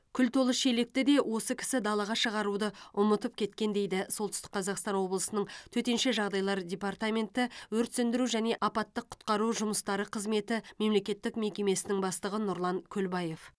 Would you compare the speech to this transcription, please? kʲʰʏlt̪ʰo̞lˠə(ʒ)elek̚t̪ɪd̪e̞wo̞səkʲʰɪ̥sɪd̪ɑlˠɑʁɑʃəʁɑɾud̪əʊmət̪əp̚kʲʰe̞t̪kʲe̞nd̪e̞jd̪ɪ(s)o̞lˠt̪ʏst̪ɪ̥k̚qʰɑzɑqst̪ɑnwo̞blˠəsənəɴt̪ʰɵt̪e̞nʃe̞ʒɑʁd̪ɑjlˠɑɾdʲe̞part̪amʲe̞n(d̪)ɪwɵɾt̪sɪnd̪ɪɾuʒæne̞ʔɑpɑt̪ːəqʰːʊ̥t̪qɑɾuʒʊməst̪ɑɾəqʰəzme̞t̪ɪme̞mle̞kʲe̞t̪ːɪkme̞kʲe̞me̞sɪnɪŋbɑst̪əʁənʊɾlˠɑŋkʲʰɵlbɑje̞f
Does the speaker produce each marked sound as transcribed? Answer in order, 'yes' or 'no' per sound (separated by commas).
no, yes, no